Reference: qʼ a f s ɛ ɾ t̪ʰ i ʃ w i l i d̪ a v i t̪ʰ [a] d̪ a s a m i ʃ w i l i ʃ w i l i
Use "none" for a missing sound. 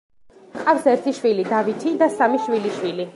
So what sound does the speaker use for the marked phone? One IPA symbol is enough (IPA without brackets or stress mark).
i